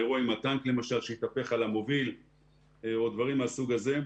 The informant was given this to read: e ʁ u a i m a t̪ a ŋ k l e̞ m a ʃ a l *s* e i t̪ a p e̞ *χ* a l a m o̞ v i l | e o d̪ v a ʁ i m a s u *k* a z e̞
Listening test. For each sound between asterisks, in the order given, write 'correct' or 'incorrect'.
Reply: incorrect: ʃ, correct, incorrect: ɡ

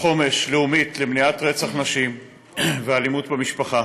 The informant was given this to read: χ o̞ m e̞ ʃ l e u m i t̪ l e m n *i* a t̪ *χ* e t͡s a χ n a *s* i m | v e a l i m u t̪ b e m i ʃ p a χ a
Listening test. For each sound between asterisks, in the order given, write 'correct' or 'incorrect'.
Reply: correct, incorrect: ʁ, incorrect: ʃ

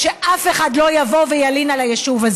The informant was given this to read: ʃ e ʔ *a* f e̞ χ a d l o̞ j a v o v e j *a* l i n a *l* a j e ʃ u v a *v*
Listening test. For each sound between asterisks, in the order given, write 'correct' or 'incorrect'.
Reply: correct, correct, correct, incorrect: z

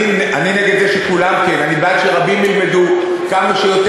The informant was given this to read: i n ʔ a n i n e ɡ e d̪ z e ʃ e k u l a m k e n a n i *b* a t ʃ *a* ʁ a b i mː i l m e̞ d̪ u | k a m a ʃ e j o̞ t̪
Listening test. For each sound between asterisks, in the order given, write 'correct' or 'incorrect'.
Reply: correct, incorrect: e

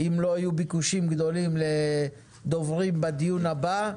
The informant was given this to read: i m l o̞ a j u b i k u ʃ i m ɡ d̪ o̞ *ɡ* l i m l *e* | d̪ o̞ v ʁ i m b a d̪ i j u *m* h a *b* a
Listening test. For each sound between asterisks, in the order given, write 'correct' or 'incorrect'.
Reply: incorrect: none, correct, incorrect: n, correct

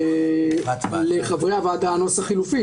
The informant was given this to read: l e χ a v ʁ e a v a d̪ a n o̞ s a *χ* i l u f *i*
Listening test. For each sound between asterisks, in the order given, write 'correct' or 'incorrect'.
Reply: correct, correct

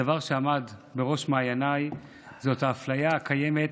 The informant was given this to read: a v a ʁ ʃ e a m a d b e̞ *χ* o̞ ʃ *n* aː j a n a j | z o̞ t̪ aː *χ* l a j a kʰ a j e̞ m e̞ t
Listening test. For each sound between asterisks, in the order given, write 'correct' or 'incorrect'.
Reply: incorrect: ʁ, incorrect: m, incorrect: f

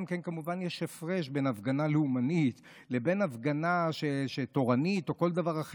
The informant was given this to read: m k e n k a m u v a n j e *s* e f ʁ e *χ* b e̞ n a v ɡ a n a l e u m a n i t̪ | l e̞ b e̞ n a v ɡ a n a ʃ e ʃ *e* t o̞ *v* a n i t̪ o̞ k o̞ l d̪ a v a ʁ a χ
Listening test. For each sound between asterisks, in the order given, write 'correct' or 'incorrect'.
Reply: incorrect: ʃ, incorrect: ʃ, correct, incorrect: ʁ

